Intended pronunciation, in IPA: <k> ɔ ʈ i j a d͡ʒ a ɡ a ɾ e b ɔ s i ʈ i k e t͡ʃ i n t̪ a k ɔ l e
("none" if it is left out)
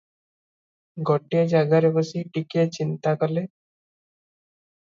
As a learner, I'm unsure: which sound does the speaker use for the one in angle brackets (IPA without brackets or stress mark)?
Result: ɡ